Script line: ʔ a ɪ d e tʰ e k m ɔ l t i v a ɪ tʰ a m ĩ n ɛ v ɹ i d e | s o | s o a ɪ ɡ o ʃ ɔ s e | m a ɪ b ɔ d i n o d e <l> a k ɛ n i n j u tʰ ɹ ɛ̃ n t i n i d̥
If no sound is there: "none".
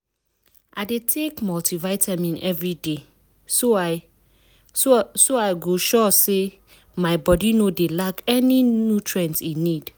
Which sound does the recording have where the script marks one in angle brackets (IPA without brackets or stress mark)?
l